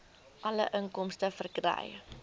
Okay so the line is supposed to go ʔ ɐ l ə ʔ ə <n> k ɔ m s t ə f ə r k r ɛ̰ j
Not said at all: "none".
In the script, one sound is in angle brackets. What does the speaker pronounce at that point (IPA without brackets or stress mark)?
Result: ŋ